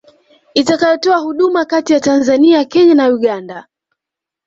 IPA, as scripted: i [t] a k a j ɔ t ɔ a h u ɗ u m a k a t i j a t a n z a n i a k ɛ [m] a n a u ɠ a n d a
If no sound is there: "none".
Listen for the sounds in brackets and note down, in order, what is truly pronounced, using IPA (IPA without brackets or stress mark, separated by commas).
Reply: t, ɲ